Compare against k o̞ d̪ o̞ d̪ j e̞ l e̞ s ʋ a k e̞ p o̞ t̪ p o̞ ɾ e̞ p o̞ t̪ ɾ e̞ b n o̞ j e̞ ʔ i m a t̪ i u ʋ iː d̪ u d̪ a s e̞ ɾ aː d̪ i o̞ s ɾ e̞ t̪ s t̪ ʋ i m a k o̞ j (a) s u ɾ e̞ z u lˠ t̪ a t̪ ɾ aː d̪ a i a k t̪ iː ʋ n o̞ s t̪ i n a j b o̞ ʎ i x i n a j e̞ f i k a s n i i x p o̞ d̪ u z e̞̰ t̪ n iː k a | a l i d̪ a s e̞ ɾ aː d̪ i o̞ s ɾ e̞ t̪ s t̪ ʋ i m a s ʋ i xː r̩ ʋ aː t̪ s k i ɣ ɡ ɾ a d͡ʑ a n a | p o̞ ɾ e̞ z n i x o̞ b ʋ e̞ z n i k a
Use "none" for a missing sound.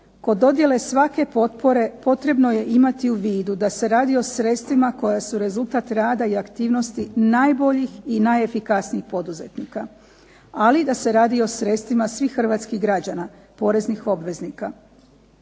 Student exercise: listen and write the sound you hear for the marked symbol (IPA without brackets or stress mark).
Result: a